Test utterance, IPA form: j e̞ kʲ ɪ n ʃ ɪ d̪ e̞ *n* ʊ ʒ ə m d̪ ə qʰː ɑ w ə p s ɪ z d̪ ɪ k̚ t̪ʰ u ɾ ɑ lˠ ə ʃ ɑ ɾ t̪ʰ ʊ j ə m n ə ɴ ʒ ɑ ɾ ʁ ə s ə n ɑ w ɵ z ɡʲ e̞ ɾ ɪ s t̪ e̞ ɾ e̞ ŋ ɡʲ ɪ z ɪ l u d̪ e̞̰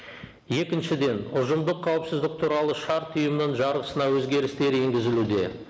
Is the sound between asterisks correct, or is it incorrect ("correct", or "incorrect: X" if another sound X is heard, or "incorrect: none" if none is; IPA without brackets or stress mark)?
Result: correct